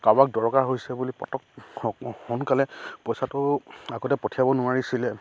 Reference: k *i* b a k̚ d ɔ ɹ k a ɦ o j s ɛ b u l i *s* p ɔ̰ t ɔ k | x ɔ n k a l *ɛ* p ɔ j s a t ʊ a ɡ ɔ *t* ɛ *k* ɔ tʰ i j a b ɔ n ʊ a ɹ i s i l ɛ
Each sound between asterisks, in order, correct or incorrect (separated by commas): incorrect, incorrect, correct, correct, incorrect